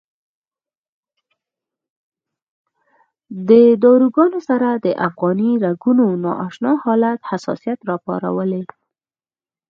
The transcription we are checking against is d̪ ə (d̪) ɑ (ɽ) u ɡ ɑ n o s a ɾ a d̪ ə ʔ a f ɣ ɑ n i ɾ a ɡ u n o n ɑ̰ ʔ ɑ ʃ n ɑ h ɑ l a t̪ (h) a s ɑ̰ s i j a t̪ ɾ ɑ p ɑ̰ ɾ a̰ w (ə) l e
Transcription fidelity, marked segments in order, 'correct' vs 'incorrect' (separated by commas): correct, incorrect, correct, correct